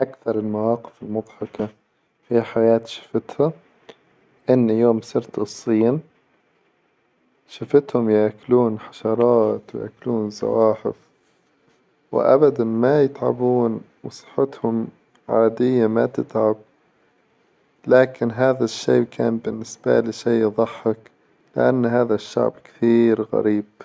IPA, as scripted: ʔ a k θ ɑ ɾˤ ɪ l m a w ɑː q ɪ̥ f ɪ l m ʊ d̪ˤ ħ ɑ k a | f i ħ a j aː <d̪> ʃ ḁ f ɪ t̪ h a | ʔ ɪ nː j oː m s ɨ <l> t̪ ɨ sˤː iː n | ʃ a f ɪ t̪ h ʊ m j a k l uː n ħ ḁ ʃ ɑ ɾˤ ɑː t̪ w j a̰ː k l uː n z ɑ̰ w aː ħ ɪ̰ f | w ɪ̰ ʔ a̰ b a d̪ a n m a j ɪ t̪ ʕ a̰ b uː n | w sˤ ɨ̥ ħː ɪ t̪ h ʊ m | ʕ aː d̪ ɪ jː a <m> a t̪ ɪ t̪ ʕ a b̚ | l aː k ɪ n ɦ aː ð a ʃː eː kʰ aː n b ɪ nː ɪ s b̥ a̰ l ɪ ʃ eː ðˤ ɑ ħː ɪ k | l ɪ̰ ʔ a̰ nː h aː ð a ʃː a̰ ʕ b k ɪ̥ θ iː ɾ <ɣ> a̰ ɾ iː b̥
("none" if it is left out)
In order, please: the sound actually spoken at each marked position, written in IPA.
t̪, ɾ, m, ɣ

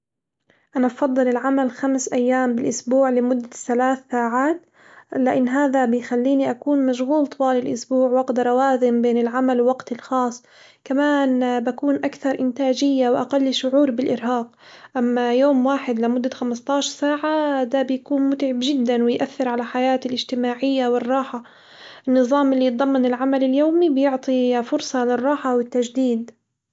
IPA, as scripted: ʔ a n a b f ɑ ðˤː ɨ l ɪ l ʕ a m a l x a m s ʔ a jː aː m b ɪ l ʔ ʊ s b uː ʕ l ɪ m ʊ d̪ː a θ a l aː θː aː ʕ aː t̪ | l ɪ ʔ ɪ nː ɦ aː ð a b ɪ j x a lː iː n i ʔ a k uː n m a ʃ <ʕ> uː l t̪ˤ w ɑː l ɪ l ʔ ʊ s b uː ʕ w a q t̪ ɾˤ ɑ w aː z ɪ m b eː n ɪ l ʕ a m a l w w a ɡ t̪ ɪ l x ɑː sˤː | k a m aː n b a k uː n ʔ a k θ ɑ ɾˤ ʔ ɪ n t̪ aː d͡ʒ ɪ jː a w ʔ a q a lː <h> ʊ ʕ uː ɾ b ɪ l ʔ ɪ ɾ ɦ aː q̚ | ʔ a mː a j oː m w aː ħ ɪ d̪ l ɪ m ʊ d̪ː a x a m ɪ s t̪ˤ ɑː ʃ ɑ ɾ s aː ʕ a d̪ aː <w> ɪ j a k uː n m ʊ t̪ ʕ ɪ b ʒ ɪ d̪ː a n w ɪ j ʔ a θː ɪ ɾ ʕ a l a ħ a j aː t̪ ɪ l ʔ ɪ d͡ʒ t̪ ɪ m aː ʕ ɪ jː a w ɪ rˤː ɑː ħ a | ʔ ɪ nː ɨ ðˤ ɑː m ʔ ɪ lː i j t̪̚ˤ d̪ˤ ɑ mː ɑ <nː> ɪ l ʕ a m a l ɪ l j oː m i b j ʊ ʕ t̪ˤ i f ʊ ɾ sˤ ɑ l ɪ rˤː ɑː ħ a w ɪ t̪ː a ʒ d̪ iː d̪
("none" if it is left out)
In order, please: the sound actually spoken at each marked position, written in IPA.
ɣ, ʃ, b, n

